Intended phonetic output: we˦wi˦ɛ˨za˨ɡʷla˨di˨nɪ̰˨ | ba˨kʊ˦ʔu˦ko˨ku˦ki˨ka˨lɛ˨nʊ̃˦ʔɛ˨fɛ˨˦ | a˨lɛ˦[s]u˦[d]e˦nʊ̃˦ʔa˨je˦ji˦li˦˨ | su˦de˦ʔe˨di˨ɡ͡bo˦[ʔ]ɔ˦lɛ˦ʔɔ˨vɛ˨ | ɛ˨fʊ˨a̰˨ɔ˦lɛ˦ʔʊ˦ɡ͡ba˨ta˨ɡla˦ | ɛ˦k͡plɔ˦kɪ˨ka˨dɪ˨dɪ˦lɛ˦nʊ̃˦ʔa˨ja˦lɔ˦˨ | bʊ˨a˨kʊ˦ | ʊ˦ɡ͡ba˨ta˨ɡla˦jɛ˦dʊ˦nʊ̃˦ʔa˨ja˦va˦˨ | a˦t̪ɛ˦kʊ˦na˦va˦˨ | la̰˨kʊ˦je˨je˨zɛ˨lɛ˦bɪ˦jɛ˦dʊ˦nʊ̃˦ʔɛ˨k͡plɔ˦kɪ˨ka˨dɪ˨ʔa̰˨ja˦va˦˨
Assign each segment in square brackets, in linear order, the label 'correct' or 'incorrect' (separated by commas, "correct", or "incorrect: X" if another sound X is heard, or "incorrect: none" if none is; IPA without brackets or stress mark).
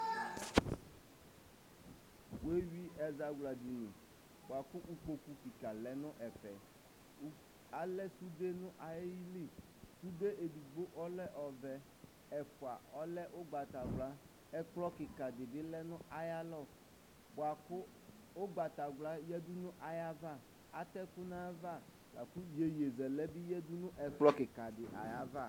correct, correct, correct